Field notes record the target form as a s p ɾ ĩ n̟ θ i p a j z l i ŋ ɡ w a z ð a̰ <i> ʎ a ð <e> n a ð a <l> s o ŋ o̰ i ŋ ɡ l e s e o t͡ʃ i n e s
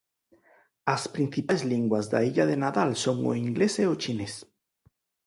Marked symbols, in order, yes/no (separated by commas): yes, yes, yes